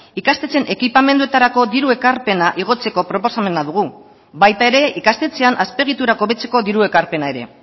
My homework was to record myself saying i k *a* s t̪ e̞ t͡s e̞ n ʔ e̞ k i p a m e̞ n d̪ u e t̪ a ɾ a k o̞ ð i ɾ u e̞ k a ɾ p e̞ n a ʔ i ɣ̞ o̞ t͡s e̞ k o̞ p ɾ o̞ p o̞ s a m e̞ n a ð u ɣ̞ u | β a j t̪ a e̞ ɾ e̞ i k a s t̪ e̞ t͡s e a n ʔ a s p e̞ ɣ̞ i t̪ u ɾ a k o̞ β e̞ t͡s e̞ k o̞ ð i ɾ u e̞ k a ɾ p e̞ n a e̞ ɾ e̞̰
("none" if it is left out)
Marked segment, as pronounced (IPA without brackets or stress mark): a